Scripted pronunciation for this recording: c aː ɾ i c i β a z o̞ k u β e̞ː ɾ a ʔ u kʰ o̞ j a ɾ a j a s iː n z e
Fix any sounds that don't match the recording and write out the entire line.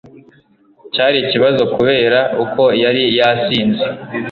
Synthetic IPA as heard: c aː ɾ i c i β a z o̞ k u β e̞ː ɾ a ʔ u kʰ o̞ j a ɾ i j a s iː n z e